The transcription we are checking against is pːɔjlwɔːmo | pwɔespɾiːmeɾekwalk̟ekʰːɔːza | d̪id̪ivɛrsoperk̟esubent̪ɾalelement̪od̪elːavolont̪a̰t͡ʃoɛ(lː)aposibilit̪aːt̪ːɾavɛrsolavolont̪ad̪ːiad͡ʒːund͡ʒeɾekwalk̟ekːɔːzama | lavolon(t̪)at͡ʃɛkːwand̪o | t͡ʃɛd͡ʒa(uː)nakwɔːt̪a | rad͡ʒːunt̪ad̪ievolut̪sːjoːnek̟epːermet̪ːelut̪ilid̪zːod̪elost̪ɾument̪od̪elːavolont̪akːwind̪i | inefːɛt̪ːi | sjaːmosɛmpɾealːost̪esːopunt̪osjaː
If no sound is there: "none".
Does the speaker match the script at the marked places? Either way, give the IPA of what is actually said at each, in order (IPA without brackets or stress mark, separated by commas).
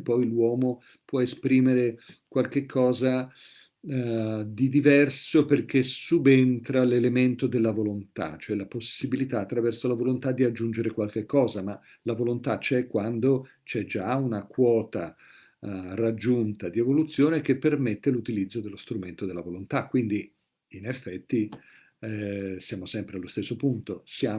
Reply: l, t̪, u